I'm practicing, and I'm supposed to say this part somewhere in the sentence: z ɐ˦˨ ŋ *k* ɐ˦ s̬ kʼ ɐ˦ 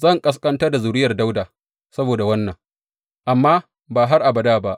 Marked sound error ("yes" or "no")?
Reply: yes